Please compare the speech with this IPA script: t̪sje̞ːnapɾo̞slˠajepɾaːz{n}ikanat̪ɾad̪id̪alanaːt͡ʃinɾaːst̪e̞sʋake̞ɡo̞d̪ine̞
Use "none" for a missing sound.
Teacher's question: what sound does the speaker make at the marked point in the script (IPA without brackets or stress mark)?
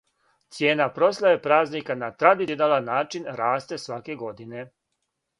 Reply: n